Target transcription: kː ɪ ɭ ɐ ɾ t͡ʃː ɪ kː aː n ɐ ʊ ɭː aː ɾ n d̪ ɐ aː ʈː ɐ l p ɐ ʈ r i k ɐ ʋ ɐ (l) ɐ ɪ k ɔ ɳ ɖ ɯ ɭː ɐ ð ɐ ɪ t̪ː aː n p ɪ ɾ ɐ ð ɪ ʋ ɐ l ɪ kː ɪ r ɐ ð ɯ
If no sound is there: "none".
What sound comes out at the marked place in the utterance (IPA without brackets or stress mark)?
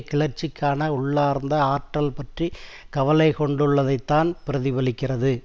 l